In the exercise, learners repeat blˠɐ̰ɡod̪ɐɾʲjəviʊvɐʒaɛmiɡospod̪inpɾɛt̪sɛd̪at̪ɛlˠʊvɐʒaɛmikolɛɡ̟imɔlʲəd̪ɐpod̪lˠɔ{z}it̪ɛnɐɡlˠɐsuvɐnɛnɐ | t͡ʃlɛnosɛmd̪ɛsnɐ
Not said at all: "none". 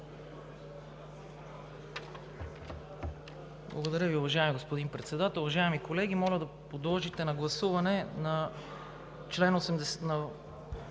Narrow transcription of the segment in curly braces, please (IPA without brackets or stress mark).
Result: ʒ